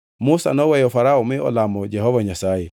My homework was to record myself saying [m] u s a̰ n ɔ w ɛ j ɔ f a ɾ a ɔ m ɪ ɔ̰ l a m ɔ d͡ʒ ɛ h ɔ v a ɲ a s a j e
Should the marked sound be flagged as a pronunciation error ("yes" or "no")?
no